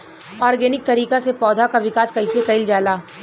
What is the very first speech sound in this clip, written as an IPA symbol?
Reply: ɔː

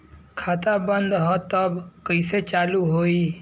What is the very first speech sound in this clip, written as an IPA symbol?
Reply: kʰ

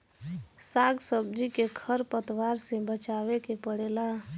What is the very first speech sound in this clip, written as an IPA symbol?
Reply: s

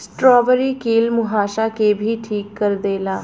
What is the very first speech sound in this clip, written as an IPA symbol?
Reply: s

